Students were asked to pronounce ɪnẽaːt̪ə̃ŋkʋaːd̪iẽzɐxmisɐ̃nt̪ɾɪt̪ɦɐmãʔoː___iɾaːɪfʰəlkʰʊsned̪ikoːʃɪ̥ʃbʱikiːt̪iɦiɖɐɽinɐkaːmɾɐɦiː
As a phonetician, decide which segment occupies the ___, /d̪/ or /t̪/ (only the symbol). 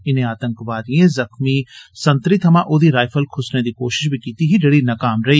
d̪